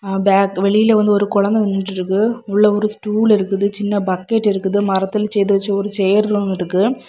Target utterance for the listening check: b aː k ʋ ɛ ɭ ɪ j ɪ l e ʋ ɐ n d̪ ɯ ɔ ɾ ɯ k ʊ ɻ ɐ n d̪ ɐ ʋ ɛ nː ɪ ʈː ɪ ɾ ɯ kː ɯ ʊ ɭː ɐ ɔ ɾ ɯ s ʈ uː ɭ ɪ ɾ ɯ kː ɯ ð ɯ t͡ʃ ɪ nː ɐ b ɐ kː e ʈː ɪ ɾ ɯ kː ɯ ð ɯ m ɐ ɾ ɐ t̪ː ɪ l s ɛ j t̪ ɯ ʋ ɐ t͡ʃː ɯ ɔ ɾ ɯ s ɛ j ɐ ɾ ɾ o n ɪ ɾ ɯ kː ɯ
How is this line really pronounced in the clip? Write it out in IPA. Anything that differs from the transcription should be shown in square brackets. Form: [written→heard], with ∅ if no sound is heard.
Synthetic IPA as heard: b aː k ʋ ɛ ɭ ɪ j ɪ l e ʋ ɐ n d̪ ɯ ɔ ɾ ɯ k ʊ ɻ ɐ n d̪ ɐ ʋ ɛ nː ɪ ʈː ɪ ɾ ɯ kː ɯ ʊ ɭː ɐ ɔ ɾ ɯ s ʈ uː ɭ ɪ ɾ ɯ kː ɯ ð ɯ t͡ʃ ɪ nː ɐ b ɐ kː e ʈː ɪ ɾ ɯ kː ɯ ð ɯ m ɐ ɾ ɐ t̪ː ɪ l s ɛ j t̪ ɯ ʋ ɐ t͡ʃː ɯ ɔ ɾ ɯ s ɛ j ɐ ɾ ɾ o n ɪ ɾ ɯ kː ɯ